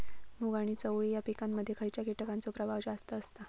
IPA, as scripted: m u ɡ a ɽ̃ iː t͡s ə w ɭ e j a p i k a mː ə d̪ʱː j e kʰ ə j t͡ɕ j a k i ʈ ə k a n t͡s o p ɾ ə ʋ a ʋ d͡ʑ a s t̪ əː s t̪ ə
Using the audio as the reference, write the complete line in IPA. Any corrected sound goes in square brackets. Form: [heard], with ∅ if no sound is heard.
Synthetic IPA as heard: m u ɡ a ɽ̃ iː t͡s ə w ɭ [i] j a p i k a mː ə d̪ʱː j e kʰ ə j t͡ɕ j a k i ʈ ə k a n t͡s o p ɾ ə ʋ a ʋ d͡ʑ a s t̪ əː s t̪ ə